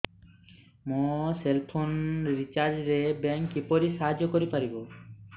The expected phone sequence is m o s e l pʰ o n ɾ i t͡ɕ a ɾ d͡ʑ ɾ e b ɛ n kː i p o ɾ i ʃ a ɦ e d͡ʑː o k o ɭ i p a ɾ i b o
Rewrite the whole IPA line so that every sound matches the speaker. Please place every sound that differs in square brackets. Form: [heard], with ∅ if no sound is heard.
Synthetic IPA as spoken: m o s e l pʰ o n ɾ i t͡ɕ a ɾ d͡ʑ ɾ e b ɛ [ŋ] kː i p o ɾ i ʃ a ɦ [a] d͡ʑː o k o [ɾ] i p a ɾ i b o